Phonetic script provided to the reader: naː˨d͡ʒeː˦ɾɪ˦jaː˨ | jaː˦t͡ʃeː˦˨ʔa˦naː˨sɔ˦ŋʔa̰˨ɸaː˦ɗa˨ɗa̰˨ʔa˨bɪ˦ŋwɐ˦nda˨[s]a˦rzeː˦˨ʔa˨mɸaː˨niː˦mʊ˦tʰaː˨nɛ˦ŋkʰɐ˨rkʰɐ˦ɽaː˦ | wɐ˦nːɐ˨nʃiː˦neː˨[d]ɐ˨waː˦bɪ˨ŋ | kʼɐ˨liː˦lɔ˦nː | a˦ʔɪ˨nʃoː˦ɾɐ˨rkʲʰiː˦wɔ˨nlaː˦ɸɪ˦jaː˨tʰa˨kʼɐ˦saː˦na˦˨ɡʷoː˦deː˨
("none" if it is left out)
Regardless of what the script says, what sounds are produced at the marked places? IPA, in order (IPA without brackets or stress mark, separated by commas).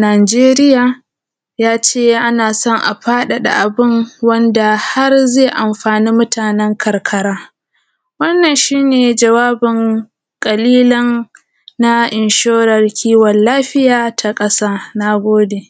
h, d͡ʒ